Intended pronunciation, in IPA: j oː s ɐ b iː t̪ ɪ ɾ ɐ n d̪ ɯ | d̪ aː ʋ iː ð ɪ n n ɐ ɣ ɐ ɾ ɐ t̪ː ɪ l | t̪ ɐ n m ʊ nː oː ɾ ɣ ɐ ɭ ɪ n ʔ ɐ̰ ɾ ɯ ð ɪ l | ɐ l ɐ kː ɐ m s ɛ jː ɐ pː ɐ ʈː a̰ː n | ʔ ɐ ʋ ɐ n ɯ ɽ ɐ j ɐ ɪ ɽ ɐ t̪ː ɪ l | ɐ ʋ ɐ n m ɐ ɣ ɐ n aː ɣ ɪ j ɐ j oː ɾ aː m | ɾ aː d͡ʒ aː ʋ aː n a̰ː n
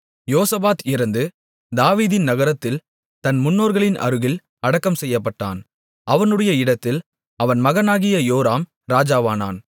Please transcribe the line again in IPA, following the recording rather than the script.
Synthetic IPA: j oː s ɐ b aː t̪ ɪ ɾ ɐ n d̪ ɯ | d̪ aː ʋ iː ð ɪ n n ɐ ɣ ɐ ɾ ɐ t̪ː ɪ l | t̪ ɐ n m ʊ nː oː ɾ ɣ ɐ ɭ ɪ n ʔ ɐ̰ ɾ ɯ ɣ ɪ l | ɐ ɽ ɐ kː ɐ m s ɛ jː ɐ pː ɐ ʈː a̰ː n | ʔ ɐ ʋ ɐ n ɯ ɽ ɐ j ɐ ɪ ɽ ɐ t̪ː ɪ l | ɐ ʋ ɐ n m ɐ ɣ ɐ n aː ɣ ɪ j ɐ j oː ɾ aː m | ɾ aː d͡ʒ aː ʋ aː n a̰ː n